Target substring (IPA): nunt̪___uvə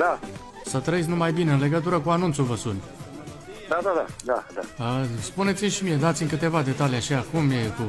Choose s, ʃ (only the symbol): s